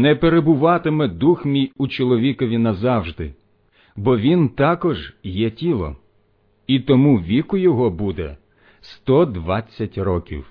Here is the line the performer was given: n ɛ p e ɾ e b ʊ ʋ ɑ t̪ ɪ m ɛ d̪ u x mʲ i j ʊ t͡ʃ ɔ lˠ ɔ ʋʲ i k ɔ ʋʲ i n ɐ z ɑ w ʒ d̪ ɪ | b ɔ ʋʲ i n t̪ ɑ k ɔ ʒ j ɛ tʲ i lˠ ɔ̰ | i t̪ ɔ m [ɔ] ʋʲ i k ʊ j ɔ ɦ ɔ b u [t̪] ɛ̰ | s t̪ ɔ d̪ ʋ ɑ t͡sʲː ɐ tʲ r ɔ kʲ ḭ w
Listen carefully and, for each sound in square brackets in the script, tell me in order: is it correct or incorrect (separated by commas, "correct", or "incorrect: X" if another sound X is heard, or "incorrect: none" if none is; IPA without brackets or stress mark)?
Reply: incorrect: u, incorrect: d̪